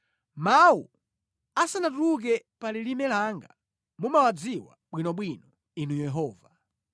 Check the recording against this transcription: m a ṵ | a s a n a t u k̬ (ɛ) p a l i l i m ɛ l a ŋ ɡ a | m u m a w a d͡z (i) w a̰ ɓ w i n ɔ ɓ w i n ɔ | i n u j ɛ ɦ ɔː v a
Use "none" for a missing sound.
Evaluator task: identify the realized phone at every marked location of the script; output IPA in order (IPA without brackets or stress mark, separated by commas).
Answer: ɛ, i